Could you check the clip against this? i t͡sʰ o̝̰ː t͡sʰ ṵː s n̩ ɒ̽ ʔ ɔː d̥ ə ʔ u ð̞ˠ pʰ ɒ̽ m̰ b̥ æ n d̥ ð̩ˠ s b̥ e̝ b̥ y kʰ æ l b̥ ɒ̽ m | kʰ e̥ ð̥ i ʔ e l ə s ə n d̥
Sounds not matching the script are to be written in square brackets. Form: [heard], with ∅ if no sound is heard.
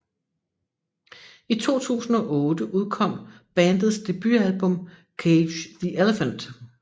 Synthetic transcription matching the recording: i t͡sʰ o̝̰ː t͡sʰ ṵː s n̩ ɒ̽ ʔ ɔː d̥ ə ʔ u ð̞ˠ [kʰ] ɒ̽ m̰ b̥ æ n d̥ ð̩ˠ s [d̥] e̝ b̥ y [∅] æ l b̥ [ɔ̽] m | kʰ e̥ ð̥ i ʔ e l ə [f] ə n d̥